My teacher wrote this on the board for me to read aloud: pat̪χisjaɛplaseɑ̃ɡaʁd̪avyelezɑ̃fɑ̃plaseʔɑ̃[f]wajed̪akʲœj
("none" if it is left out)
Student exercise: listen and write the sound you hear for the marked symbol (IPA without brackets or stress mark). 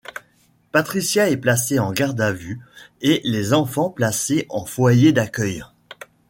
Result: f